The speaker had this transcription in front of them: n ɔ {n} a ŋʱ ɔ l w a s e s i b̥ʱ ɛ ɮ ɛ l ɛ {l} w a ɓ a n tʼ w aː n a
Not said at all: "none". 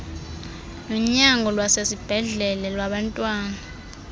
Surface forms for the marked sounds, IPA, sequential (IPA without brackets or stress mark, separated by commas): ɲ, l